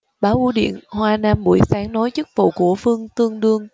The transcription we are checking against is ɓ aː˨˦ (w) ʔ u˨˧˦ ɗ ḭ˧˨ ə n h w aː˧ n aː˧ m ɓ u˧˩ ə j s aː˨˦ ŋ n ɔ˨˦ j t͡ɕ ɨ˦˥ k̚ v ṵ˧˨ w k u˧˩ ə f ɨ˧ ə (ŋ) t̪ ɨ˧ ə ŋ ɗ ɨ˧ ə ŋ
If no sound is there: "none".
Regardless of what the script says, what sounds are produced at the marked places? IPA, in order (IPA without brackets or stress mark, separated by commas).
w, ŋ